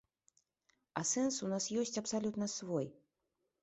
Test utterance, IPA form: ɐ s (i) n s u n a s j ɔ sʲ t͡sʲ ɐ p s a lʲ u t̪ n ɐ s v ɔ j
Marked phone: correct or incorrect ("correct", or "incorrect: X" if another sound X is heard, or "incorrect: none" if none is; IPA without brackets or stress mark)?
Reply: incorrect: ɛ